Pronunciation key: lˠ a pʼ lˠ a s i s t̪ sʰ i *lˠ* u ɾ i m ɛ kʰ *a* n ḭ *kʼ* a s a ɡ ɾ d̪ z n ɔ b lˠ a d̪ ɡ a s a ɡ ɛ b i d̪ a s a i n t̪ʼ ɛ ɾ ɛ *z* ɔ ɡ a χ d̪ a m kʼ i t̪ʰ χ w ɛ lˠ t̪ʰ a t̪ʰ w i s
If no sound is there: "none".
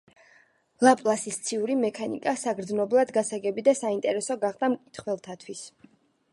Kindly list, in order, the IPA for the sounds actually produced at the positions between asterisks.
none, a, kʼ, s

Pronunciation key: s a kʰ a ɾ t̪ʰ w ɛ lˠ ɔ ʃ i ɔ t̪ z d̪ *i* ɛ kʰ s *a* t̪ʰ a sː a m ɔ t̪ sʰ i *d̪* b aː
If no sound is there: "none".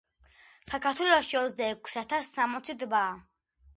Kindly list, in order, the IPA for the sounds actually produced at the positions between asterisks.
a, a, d̪

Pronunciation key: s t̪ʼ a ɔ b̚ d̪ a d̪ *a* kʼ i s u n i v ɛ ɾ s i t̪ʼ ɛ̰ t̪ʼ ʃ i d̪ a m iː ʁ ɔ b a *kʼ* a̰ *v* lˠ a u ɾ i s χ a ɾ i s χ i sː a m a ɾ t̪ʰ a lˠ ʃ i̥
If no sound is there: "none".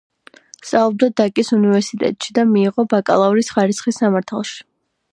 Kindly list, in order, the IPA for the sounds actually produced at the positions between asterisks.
a, kʼ, none

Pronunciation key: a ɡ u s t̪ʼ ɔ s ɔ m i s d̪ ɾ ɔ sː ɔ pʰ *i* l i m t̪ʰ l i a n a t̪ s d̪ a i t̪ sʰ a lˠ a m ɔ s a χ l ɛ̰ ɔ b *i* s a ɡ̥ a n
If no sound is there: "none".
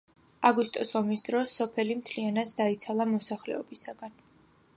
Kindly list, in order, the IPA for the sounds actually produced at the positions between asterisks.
ɛ, i

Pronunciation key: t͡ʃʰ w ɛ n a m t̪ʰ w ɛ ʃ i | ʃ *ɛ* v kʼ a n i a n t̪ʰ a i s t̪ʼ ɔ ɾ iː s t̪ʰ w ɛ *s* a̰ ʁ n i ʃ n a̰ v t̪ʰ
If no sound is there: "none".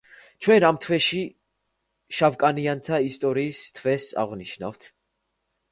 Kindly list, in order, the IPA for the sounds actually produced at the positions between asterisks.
a, s

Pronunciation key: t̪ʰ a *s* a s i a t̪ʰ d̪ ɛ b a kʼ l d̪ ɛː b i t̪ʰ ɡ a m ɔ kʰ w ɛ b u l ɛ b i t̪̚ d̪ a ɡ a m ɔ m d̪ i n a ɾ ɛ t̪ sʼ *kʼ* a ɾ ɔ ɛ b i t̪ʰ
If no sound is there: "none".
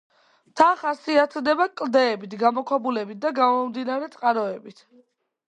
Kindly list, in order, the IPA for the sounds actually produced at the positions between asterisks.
χ, qʼ

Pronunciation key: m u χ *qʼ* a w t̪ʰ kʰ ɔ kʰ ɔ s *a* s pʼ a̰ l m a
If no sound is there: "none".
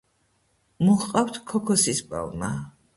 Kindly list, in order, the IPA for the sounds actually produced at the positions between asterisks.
qʼ, i

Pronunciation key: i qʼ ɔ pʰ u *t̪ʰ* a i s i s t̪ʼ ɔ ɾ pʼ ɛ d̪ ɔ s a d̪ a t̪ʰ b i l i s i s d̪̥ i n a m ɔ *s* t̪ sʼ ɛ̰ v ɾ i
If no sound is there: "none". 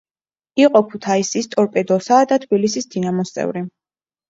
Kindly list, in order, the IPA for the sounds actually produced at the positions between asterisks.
t̪ʰ, s

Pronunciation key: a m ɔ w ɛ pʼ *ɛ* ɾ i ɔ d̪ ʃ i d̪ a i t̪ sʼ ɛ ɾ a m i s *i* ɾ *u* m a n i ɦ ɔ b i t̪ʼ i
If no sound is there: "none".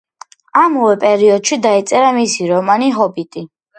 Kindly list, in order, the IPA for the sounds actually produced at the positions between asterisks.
ɛ, i, ɔ

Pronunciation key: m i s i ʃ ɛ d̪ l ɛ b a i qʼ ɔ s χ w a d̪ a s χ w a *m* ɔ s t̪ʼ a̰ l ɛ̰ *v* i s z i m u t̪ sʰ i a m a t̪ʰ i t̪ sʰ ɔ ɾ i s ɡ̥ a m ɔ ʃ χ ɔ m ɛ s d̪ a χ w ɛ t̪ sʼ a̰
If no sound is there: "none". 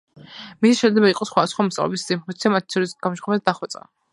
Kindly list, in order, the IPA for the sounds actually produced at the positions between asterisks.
m, b

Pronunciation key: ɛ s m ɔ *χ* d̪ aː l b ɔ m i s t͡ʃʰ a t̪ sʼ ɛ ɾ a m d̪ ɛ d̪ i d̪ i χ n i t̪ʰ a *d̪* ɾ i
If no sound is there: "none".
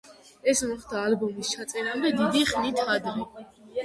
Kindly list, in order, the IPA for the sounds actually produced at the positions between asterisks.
χ, d̪

